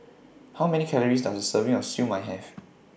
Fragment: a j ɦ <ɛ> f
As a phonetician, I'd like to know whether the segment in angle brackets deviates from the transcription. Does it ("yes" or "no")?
no